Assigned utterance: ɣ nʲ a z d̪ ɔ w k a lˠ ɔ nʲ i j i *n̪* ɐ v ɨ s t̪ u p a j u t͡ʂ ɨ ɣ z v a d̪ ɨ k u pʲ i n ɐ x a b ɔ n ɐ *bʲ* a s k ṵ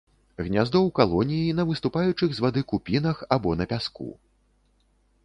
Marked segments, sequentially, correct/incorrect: correct, incorrect

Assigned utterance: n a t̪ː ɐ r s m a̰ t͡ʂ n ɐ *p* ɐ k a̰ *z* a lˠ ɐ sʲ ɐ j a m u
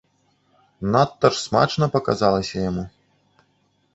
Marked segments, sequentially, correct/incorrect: correct, correct

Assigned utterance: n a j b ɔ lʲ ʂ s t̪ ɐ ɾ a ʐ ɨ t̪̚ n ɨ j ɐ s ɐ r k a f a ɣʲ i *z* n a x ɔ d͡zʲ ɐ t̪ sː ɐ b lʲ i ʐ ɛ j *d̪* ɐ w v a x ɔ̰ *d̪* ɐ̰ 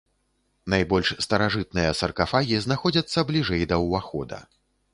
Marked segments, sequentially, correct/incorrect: correct, correct, correct

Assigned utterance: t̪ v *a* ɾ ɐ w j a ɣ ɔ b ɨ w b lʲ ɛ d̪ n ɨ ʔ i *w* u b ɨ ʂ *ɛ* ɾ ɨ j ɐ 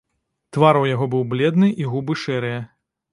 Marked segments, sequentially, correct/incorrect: correct, incorrect, correct

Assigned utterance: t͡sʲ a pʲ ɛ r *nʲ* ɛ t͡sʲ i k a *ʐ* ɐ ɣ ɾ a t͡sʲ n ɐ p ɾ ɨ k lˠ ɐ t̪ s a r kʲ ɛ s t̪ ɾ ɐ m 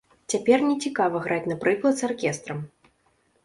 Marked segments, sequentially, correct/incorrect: correct, incorrect

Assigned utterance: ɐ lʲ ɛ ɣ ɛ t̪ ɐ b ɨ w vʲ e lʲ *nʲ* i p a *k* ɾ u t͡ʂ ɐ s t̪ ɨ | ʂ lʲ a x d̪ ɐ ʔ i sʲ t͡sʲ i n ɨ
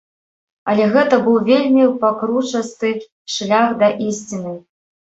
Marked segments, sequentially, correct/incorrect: incorrect, correct

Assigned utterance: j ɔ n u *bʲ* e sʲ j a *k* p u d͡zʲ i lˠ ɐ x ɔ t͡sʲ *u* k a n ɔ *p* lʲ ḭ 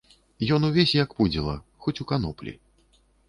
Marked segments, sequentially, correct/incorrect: incorrect, correct, correct, correct

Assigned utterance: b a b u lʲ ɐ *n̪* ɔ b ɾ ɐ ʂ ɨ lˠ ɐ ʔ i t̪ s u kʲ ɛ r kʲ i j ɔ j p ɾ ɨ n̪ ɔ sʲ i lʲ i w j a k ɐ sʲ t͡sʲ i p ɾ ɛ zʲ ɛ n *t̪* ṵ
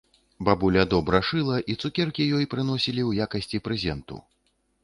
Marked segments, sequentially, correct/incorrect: incorrect, correct

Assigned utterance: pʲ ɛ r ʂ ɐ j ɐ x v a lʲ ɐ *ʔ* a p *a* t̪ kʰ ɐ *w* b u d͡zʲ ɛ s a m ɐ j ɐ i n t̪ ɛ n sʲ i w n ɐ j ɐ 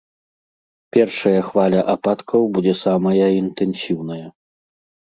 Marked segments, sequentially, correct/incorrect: correct, correct, correct

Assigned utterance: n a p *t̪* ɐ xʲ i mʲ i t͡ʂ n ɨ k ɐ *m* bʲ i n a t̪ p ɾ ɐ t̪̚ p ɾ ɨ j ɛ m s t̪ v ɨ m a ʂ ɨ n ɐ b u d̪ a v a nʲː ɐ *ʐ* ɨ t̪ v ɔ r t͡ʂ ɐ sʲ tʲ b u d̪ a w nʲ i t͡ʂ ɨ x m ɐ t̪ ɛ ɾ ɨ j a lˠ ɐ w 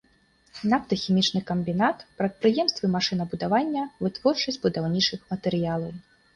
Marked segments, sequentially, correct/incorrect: correct, correct, incorrect

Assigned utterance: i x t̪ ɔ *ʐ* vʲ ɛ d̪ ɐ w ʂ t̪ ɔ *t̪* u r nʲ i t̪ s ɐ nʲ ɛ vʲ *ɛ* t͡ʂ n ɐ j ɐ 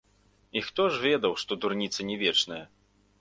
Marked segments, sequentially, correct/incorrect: correct, incorrect, correct

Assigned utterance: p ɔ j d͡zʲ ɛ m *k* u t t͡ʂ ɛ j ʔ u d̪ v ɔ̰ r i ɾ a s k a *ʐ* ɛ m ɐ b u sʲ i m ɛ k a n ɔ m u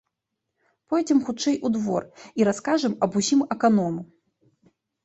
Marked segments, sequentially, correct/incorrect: incorrect, correct

